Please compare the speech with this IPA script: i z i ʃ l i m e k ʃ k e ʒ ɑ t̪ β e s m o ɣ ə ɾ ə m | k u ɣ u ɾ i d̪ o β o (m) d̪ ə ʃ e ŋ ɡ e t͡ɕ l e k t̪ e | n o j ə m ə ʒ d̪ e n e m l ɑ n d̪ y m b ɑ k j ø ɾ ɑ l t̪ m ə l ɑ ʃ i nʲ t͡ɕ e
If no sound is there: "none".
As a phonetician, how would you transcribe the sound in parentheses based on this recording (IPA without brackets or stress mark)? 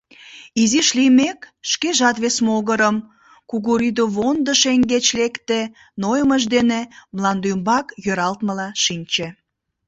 n